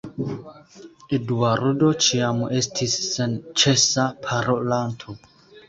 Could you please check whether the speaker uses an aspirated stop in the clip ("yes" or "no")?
yes